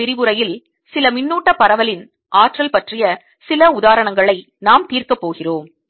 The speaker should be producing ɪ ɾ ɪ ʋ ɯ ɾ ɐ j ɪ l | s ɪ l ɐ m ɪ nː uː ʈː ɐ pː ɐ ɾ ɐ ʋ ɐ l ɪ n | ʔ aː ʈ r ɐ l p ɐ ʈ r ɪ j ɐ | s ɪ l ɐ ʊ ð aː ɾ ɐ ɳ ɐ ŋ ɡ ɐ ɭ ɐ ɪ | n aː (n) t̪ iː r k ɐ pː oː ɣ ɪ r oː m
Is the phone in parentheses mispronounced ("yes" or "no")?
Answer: yes